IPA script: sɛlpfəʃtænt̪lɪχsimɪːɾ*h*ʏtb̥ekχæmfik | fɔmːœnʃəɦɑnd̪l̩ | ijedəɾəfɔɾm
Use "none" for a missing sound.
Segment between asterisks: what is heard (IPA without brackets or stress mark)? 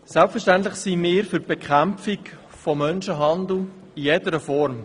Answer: f